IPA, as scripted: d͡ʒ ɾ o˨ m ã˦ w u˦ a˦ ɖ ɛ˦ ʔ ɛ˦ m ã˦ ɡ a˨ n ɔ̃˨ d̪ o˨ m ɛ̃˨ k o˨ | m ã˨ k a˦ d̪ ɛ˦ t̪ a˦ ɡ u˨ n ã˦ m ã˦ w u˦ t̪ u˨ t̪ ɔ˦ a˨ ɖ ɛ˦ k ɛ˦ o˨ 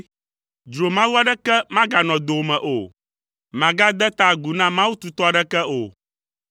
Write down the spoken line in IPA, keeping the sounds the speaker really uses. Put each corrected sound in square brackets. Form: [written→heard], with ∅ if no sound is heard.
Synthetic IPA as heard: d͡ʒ ɾ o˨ m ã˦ w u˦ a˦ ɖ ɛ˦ [ʔ→k] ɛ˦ m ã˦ ɡ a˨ n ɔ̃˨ d̪ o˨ m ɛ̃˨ [k→ʔ] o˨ | m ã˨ [k→ɡ] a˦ d̪ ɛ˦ t̪ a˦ ɡ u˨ n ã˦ m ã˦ w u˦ t̪ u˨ t̪ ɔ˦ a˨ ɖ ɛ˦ k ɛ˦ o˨